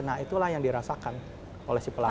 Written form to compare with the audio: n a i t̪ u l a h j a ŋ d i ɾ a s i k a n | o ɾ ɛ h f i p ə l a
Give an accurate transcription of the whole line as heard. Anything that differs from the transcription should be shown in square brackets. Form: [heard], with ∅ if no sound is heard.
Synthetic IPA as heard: n a i t̪ u l a h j a ŋ d i ɾ a s [a] k a n | o [l] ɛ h [s] i p ə l a